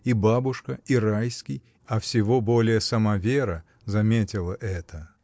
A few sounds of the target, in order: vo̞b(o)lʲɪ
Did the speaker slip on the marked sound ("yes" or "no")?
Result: no